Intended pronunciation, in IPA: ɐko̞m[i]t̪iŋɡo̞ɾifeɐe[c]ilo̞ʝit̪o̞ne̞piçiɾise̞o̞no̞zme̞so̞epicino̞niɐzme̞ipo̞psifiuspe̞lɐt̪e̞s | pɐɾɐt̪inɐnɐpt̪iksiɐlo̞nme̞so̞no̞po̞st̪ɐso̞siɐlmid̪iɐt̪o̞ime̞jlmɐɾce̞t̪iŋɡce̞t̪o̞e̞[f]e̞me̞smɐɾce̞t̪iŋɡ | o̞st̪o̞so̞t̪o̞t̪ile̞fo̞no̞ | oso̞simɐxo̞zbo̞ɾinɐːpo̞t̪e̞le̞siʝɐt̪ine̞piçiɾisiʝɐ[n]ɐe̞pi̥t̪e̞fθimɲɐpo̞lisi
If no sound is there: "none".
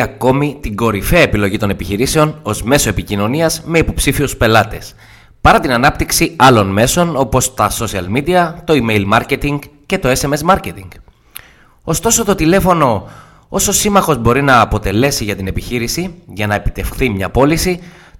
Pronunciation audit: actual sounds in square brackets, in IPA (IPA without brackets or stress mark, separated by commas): i, p, s, n